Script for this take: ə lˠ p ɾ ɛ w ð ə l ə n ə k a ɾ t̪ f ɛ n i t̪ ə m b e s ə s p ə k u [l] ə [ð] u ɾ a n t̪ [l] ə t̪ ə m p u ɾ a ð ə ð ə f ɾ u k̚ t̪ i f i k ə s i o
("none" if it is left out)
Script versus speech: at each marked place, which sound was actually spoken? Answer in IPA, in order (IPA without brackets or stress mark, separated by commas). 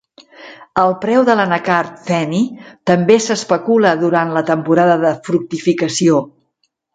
l, ð, l